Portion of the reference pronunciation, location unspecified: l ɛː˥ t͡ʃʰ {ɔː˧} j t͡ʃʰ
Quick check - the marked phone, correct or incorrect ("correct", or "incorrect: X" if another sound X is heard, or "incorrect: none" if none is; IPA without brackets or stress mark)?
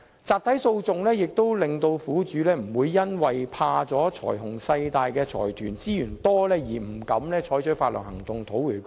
incorrect: ɔː˨˥